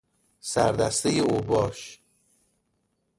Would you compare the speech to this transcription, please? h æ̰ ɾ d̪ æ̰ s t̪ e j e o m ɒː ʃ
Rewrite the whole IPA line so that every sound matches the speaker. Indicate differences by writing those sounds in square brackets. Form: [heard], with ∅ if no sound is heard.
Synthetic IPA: [s] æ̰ ɾ d̪ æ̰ s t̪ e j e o [b] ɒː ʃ